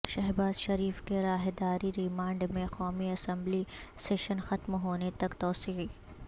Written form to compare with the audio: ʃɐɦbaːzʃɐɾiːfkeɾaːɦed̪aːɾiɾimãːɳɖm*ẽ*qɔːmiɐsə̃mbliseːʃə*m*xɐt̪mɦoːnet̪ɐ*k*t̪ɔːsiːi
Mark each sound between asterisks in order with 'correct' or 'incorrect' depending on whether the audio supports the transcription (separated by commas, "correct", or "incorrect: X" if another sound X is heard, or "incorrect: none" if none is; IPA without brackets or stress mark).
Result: correct, incorrect: n, correct